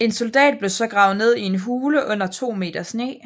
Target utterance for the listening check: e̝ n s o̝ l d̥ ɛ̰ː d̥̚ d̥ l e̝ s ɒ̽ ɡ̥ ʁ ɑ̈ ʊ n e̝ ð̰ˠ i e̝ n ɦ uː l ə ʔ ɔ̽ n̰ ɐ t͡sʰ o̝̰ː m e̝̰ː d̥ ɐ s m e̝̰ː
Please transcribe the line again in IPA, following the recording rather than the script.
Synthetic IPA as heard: e̝ n s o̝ l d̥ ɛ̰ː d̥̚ b̥ l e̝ s ɒ̽ ɡ̥ ʁ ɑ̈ ʊ n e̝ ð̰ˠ i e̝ n ɦ uː l ə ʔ ɔ̽ n̰ ɐ t͡sʰ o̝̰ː m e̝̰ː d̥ ɐ s n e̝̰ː